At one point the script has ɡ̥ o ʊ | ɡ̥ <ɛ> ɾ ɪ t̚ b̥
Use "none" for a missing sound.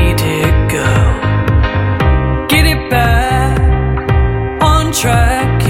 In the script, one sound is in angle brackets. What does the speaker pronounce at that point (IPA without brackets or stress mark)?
ɛ